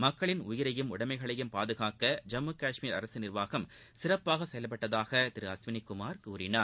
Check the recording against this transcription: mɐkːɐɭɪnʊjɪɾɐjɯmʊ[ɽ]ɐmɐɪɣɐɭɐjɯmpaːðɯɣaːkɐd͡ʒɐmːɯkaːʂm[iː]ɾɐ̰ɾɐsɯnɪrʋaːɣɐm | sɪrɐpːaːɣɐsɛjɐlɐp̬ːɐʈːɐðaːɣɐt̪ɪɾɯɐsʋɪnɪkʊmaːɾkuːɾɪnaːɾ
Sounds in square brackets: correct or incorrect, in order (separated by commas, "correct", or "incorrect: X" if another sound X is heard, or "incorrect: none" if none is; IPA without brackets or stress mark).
correct, correct